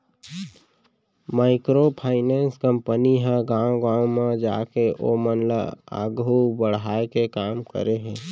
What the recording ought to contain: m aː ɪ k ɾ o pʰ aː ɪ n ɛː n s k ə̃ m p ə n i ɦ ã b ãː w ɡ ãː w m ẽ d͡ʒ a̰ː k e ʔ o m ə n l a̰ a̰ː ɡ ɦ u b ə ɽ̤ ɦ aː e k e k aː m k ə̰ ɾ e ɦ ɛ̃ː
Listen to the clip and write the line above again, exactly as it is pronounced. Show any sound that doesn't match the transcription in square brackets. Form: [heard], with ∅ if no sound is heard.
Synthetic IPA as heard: m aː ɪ k ɾ o pʰ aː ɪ n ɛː n s k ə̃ m p ə n i ɦ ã [ɡ] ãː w ɡ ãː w m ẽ d͡ʒ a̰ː k e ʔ o m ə n l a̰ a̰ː ɡ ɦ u b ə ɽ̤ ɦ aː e k e k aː m k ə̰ ɾ e ɦ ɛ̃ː